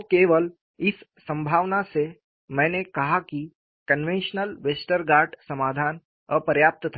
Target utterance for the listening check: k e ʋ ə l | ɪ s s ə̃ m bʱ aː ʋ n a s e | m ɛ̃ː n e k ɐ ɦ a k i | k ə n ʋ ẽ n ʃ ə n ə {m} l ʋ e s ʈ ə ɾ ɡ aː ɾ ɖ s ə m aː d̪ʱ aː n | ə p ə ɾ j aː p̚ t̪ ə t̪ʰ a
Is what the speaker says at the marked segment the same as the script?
no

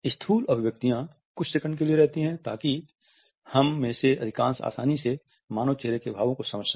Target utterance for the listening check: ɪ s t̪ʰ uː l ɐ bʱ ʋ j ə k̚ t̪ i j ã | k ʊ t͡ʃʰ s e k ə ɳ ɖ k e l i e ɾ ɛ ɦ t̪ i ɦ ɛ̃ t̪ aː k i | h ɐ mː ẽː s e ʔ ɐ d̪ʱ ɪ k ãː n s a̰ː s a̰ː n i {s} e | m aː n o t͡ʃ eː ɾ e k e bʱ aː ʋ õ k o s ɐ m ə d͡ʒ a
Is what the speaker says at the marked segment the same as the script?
yes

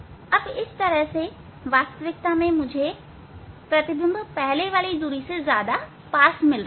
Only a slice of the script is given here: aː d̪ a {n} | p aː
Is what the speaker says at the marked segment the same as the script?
no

